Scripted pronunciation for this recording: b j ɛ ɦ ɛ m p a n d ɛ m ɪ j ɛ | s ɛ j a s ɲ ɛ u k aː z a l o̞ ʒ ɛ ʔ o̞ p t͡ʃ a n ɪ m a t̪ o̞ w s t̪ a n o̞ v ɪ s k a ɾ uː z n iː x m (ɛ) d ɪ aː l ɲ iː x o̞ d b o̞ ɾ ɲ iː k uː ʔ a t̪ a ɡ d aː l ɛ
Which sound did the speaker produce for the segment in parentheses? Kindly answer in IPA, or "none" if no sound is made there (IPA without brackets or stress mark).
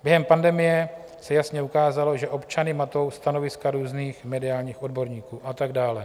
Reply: ɛ